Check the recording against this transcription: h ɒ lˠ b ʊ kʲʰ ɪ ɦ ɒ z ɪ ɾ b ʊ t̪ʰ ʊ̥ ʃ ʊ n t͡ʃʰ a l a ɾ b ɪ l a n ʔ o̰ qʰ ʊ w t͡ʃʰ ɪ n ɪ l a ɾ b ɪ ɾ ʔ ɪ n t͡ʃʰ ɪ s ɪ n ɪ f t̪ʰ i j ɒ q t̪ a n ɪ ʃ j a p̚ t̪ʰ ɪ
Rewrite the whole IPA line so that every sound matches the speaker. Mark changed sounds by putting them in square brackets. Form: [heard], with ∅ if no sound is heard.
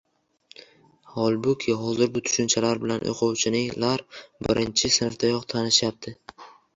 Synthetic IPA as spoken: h ɒ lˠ b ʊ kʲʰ ɪ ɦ ɒ z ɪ ɾ b ʊ t̪ʰ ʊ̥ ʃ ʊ n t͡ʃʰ a l a ɾ b ɪ l a n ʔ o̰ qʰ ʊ w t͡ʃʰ ɪ n ɪ l a ɾ b ɪ ɾ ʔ ɪ n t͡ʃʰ ɪ s ɪ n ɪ f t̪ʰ [a] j ɒ q [t̪ʰ] a n ɪ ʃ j a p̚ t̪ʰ ɪ